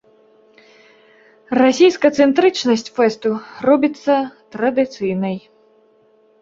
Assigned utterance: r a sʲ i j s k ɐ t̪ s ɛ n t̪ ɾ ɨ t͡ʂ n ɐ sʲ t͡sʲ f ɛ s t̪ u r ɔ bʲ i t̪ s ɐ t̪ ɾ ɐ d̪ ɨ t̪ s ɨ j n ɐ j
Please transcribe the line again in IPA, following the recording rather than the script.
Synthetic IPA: r a sʲ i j s k ɐ t̪ s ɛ n t̪ ɾ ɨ t͡ʂ n ɐ sʲ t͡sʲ f ɛ s t̪ u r ɔ bʲ i t̪ sː ɐ t̪ ɾ ɐ d̪ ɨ t̪ s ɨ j n ɐ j